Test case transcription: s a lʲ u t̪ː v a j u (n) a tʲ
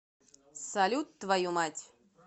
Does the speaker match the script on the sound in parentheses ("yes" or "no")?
no